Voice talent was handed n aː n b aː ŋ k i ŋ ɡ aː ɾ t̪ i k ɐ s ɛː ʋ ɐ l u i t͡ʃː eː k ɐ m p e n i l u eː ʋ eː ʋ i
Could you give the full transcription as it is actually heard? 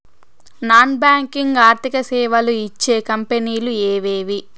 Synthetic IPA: n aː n b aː ŋ k i ŋ ɡ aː ɾ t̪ i k ɐ s ɛː ʋ ɐ l u i t͡ʃː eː k ɐ m p e n iː l u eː ʋ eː ʋ i